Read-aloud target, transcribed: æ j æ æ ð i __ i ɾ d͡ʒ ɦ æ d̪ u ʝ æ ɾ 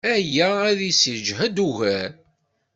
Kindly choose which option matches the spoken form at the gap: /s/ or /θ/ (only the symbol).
s